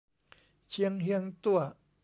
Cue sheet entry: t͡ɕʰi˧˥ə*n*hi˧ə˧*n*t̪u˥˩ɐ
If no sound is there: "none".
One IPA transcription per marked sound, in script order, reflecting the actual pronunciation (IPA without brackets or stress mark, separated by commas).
ŋ, ŋ